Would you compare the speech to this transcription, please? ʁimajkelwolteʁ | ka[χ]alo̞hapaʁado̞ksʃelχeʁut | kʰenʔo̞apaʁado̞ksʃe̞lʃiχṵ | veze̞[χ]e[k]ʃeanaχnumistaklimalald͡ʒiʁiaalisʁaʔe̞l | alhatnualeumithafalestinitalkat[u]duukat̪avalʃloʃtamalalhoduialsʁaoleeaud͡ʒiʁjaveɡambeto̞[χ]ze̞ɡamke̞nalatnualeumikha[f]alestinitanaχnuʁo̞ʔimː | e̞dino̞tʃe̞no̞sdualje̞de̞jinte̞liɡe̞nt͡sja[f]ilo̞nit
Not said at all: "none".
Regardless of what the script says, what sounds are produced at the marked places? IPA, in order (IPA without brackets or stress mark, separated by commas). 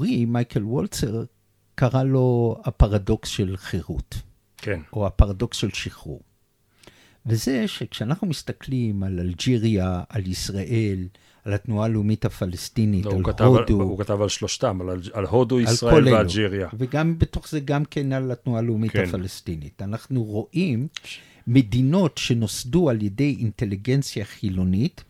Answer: ʁ, ʃ, k, o, χ, f, χ